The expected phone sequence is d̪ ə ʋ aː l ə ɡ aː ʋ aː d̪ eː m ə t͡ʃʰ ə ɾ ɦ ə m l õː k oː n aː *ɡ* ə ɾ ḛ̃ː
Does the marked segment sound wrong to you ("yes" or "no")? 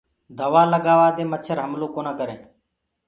yes